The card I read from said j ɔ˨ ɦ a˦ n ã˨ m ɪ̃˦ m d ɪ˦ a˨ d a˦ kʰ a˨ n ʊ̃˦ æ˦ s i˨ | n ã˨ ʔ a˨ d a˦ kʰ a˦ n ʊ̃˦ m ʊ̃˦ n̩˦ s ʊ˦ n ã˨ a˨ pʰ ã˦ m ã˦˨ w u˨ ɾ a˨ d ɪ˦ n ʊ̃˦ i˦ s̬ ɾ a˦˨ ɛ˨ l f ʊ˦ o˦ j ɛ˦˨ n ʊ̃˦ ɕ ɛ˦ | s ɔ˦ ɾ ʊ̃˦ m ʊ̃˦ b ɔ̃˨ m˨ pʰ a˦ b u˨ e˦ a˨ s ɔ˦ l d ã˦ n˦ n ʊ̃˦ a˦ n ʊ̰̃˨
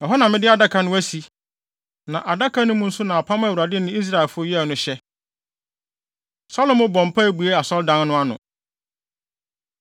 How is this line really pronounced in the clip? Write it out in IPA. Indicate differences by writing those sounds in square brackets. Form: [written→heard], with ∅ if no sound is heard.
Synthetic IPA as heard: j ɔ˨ ɦ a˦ n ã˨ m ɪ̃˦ [m→∅] d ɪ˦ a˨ d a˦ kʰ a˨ n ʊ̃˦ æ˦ s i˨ | n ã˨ ʔ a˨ d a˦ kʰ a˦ n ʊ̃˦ m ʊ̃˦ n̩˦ s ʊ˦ n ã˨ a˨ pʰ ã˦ m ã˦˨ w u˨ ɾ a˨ d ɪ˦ n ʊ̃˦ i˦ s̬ ɾ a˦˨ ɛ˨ l f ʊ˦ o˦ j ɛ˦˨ n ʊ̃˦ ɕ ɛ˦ | s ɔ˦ [ɾ→l] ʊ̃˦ m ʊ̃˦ b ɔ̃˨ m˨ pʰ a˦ b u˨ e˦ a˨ s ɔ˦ l d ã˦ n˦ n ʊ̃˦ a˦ n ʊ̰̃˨